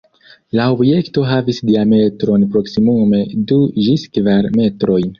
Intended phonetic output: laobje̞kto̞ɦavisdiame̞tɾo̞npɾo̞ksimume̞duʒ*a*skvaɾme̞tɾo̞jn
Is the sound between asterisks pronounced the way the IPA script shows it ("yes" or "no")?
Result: no